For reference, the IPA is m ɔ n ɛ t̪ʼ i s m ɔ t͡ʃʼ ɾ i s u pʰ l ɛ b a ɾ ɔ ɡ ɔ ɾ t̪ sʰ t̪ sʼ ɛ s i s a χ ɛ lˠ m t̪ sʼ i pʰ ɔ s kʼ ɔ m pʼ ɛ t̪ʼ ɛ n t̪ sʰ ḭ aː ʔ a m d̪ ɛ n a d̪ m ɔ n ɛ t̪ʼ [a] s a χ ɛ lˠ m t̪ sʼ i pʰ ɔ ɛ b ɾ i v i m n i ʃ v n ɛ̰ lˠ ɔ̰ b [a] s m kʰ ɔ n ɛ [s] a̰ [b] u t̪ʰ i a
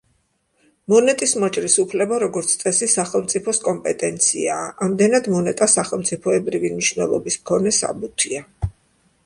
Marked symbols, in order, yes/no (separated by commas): yes, no, yes, yes